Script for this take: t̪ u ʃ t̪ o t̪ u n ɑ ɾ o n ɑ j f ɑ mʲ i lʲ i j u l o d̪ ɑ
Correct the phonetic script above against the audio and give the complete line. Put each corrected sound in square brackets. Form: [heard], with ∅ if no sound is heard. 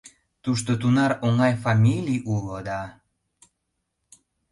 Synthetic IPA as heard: t̪ u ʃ t̪ o t̪ u n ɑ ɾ o [ŋ] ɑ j f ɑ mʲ i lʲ i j u l o d̪ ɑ